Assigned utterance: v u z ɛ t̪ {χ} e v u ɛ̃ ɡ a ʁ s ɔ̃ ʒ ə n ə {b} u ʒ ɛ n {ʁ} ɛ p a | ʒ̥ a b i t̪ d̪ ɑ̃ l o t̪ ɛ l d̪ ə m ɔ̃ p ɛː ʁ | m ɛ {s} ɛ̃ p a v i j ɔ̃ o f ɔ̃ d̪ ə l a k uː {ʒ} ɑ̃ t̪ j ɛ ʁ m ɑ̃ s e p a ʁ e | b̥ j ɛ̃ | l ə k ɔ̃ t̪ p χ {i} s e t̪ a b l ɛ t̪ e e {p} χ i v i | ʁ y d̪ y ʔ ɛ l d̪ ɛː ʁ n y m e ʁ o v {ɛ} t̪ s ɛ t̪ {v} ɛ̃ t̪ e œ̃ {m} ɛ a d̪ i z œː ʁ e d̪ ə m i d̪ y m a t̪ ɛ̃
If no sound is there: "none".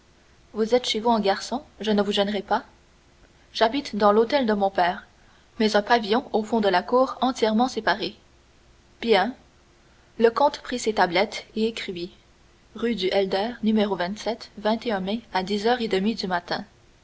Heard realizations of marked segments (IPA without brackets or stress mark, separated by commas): ʃ, v, ʁ, z, ʁ, i, k, ɛ̃, v, m